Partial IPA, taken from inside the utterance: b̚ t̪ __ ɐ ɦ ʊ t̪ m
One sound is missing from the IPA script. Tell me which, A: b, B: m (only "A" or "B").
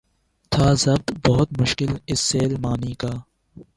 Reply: A